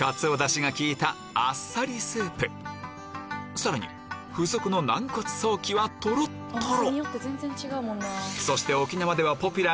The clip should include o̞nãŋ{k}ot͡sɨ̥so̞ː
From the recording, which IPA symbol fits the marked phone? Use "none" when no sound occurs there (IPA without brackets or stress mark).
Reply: k